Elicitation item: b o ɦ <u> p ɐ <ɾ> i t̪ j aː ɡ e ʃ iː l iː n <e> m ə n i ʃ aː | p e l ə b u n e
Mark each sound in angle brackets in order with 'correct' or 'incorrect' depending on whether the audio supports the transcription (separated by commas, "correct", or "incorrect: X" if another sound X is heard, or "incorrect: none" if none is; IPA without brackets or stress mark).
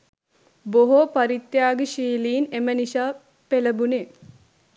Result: incorrect: o, correct, correct